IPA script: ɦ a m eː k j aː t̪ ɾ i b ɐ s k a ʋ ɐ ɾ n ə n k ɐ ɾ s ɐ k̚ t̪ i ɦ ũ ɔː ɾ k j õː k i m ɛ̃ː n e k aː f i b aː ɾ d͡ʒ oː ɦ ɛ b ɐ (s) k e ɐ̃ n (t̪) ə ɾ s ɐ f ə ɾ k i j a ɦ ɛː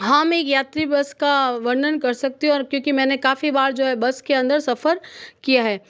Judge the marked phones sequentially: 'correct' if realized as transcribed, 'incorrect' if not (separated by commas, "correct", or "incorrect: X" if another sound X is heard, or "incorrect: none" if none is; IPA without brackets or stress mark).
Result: correct, incorrect: d̪